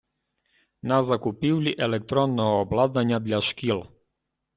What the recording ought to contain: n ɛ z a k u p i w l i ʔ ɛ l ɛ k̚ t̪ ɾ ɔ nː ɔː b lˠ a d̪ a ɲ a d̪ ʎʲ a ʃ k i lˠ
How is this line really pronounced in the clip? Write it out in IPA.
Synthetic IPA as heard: n a z a k u p i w l i ʔ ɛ l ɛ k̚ t̪ ɾ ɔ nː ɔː b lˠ a d̪ a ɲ a d̪ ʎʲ a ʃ k i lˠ